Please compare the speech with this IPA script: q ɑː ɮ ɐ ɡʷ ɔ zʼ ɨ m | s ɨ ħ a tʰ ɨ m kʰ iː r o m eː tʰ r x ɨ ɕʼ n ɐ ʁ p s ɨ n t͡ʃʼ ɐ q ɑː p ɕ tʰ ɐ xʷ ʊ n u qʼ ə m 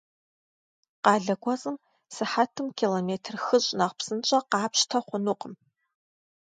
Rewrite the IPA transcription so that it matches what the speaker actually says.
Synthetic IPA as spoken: q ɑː ɮ ɐ ɡʷ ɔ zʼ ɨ m | s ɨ ħ a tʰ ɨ m kʰ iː l o m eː tʰ r x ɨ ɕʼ n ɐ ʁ p s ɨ n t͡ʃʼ ɐ q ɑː p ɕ tʰ ɐ χʷ ʊ n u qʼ ə m

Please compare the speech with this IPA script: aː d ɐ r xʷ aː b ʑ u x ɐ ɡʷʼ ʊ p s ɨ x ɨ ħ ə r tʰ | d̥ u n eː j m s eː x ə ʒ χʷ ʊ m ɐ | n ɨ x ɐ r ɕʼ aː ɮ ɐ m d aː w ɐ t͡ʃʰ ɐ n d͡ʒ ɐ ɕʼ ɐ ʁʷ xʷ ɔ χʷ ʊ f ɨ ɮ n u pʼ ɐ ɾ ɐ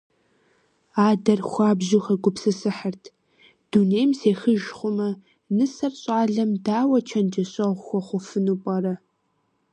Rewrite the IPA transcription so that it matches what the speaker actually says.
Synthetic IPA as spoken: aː d ɐ r xʷ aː b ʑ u x ɐ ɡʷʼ ʊ p s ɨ s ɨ ħ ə r tʰ | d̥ u n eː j m s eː x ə ʒ χʷ ʊ m ɐ | n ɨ s ɐ r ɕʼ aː ɮ ɐ m d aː w ɐ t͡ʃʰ ɐ n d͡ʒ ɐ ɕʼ ɐ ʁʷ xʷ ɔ χʷ ʊ f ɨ n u pʼ ɐ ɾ ɐ

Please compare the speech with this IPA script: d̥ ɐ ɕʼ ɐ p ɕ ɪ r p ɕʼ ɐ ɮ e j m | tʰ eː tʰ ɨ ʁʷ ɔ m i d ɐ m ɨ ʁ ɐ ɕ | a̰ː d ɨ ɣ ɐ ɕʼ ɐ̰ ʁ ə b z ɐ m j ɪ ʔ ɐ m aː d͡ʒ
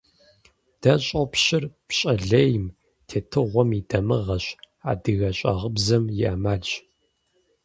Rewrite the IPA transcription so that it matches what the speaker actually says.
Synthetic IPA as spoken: d̥ ɐ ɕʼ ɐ p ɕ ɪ r p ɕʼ ɐ ɮ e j m | tʰ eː tʰ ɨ ʁʷ ɔ m i d ɐ m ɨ ʁ ɐ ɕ | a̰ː d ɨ ɣ ɐ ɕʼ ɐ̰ ʁ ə b z ɐ m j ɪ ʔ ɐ m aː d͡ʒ

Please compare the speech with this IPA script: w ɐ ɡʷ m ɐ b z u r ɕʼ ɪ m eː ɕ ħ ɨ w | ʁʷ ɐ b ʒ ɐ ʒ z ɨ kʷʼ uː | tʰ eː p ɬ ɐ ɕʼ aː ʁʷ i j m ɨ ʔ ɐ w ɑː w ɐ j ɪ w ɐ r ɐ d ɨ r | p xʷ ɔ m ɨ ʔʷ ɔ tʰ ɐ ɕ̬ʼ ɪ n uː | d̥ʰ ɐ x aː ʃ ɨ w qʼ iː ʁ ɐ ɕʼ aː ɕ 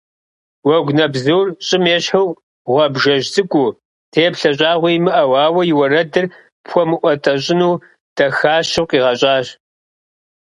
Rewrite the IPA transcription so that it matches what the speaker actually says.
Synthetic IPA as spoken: w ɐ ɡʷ n ɐ b z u r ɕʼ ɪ m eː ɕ ħ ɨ w | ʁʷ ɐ b ʒ ɐ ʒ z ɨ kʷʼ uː | tʰ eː p ɬ ɐ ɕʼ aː ʁʷ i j m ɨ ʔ ɐ w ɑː w ɐ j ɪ w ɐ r ɐ d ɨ r | p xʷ ɔ m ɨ ʔʷ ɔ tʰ ɐ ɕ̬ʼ ɪ n uː | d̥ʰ ɐ x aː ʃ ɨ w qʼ iː ʁ ɐ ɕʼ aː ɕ

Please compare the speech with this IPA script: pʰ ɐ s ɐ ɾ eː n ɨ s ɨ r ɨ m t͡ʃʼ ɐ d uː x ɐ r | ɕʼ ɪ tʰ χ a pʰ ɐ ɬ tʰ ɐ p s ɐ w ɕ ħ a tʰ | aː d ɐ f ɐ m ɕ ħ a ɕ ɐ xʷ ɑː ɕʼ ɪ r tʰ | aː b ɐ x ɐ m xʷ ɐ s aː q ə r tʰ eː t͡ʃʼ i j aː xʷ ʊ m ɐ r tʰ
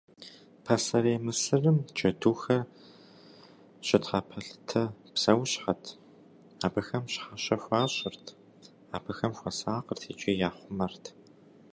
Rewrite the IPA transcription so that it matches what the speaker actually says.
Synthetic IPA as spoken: pʰ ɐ s ɐ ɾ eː m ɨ s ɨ r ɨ m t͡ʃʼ ɐ d uː x ɐ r | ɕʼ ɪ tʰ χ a pʰ ɐ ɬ tʰ ɐ p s ɐ w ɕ ħ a tʰ | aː b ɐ x ɐ m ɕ ħ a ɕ ɐ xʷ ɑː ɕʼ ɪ r tʰ | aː b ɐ x ɐ m xʷ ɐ s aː q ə r tʰ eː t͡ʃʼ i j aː χʷ ʊ m ɐ r tʰ

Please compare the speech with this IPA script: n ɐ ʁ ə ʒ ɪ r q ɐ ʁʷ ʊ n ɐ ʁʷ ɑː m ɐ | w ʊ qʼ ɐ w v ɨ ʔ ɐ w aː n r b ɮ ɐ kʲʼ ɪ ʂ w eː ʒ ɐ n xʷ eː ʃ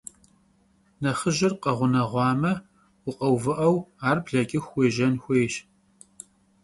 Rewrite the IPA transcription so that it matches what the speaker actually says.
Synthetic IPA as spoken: n ɐ χ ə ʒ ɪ r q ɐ ʁʷ ʊ n ɐ ʁʷ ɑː m ɐ | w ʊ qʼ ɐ w v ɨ ʔ ɐ w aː r b ɮ ɐ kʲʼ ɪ x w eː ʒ ɐ n xʷ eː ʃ

